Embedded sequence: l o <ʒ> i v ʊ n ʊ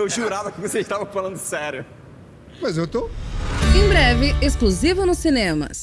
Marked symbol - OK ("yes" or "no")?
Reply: no